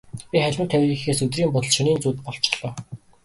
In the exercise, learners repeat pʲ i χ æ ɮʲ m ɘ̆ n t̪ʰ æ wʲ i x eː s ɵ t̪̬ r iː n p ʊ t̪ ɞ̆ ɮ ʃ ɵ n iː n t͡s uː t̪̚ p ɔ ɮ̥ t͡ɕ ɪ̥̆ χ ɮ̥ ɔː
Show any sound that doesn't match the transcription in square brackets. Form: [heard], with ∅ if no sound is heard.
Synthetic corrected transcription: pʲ i χ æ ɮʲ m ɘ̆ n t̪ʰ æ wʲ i x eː s ɵ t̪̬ r iː [m] p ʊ t̪ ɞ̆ ɮ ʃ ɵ n iː n t͡s uː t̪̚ p ɔ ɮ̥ t͡ɕ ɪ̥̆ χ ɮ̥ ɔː